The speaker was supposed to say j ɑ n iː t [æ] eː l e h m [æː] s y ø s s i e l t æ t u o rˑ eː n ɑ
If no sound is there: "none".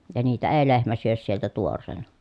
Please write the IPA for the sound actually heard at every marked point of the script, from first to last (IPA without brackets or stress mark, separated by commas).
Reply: æ, æ